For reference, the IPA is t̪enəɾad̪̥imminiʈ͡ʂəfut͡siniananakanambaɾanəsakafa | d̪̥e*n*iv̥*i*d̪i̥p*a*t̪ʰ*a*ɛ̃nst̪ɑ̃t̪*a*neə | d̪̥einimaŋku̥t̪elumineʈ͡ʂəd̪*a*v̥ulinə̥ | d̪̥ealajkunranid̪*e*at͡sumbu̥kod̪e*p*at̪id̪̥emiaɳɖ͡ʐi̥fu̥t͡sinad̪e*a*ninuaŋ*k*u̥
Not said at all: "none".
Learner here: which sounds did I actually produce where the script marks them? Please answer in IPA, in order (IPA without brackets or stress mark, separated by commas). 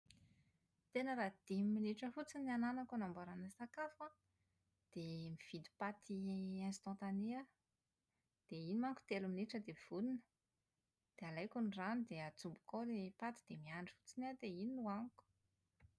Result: m, i, a, i, a, e, e, p, i, k